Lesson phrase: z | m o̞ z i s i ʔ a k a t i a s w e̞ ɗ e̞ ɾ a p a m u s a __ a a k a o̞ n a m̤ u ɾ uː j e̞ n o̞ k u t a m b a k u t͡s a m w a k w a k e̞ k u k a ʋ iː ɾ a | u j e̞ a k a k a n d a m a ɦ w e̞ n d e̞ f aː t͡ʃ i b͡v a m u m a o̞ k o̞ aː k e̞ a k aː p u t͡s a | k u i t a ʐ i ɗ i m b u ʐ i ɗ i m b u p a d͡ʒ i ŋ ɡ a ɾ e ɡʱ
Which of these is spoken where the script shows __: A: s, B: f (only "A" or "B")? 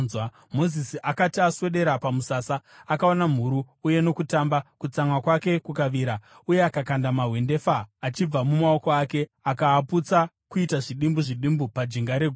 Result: A